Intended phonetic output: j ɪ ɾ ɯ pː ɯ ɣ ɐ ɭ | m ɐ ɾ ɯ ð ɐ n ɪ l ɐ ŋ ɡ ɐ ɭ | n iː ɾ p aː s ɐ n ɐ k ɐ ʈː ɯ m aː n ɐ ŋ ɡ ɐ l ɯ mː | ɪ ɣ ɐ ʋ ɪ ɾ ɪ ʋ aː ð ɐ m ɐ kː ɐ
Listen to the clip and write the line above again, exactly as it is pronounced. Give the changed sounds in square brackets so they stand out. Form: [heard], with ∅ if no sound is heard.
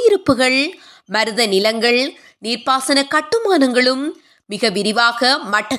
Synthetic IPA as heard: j ɪ ɾ ɯ pː ɯ ɣ ɐ ɭ | m ɐ ɾ ɯ ð ɐ n ɪ l ɐ ŋ ɡ ɐ ɭ | n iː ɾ p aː s ɐ n ɐ k ɐ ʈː ɯ m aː n ɐ ŋ ɡ ɐ [ɭ] ɯ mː | ɪ ɣ ɐ ʋ ɪ ɾ ɪ ʋ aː [ɣ] ɐ m ɐ [ʈː] ɐ